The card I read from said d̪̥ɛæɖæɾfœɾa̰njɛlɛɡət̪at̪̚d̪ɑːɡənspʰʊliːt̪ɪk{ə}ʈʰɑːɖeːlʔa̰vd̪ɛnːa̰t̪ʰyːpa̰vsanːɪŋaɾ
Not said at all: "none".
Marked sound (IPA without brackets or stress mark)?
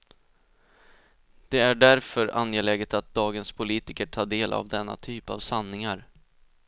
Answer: ə